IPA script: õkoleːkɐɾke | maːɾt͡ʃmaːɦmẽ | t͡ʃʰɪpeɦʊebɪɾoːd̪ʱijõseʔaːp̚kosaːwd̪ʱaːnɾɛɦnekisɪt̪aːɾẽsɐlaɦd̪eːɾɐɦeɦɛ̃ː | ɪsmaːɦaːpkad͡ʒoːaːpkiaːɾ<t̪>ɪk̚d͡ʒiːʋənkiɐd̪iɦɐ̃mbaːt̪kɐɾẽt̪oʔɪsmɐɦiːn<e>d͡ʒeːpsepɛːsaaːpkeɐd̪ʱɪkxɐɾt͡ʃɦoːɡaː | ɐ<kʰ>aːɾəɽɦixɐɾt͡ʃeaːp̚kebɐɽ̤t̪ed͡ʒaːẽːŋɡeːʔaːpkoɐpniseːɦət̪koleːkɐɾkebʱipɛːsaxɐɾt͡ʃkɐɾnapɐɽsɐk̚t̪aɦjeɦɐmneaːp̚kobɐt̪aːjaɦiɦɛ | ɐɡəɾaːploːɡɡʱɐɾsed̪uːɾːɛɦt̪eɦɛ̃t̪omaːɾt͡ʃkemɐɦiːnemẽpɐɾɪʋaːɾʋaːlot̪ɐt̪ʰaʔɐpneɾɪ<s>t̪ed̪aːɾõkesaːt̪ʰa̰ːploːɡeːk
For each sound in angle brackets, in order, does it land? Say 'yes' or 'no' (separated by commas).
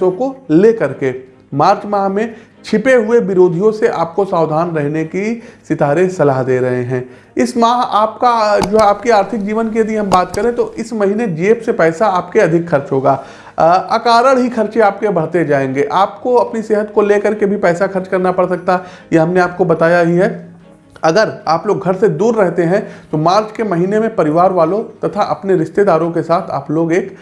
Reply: no, yes, no, no